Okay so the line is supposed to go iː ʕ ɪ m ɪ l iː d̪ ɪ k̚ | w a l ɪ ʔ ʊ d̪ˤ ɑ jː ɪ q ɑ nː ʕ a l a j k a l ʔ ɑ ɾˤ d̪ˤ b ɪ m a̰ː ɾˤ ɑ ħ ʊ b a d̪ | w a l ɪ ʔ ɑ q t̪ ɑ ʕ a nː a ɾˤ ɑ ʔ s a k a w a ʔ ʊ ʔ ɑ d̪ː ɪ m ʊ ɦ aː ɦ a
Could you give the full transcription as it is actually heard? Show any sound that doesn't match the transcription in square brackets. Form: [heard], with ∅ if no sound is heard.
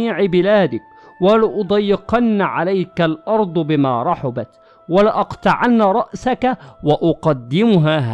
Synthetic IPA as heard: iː ʕ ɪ [b] ɪ l [aː] d̪ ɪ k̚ | w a l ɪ ʔ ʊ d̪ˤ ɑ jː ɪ q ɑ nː ʕ a l a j k a l ʔ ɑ ɾˤ d̪ˤ b ɪ m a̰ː ɾˤ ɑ ħ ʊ b a [t̪] | w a l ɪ ʔ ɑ q t̪ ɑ ʕ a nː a ɾˤ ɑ ʔ s a k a w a ʔ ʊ [q] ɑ d̪ː ɪ m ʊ ɦ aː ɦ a